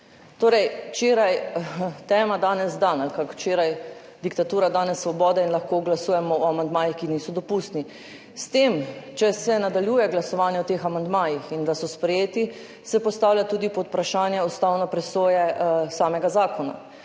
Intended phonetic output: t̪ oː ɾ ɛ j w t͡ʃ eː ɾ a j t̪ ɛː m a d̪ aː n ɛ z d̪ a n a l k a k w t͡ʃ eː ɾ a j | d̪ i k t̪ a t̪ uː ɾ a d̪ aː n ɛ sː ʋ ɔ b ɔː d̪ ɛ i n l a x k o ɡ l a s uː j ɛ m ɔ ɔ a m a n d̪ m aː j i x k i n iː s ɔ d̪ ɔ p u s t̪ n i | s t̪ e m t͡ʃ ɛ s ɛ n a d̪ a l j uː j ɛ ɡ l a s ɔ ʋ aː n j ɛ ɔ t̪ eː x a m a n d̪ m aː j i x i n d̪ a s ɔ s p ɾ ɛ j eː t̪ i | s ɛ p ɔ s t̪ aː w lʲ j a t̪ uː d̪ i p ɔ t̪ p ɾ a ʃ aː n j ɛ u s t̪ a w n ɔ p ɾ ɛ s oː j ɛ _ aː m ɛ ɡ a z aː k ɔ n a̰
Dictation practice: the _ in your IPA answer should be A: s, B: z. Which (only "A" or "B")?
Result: A